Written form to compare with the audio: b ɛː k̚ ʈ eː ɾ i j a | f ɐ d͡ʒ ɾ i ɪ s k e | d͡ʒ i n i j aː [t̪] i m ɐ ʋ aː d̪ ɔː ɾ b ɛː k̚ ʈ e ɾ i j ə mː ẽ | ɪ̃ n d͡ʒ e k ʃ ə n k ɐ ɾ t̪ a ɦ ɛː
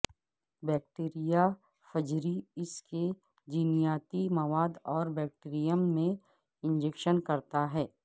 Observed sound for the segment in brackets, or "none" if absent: t̪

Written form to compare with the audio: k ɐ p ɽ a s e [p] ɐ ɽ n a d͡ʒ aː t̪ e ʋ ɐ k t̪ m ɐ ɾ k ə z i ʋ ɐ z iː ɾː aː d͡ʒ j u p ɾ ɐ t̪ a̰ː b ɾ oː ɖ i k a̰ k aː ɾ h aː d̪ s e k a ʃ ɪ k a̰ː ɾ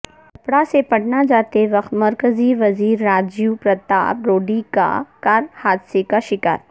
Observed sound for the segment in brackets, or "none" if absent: p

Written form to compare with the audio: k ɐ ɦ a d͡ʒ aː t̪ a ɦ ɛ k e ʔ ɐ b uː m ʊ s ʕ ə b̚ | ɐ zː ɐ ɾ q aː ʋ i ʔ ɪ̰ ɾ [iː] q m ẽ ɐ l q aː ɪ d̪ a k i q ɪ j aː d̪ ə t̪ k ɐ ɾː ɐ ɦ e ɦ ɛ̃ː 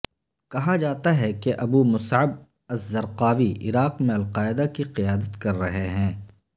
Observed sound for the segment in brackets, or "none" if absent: aː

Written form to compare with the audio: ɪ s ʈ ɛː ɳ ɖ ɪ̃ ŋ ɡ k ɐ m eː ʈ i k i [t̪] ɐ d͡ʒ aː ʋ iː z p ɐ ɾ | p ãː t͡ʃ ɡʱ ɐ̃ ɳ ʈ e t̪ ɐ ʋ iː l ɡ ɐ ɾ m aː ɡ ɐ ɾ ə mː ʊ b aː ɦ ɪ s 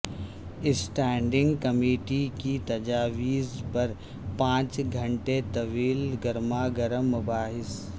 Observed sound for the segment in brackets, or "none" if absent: t̪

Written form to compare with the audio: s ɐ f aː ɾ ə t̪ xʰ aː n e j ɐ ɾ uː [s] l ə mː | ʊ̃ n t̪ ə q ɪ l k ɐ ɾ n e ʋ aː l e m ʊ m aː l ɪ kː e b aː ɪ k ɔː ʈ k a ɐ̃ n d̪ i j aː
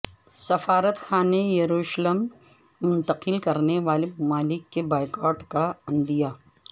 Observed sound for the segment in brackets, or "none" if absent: ʃ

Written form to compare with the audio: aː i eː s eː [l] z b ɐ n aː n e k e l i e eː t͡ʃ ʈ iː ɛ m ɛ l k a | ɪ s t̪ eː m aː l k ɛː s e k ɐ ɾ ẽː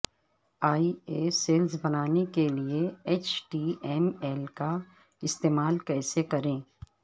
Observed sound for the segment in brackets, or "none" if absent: l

